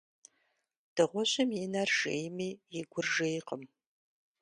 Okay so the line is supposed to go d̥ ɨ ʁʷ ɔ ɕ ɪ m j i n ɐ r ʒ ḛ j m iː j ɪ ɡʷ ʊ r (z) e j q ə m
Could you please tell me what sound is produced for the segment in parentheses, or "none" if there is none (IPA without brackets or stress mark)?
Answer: ʒ